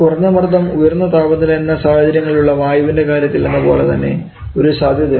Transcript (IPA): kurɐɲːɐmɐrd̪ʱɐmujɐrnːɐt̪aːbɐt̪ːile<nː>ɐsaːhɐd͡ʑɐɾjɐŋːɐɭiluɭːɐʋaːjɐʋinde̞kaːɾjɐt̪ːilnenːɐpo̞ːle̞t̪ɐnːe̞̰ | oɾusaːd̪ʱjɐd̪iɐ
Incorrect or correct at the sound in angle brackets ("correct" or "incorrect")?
correct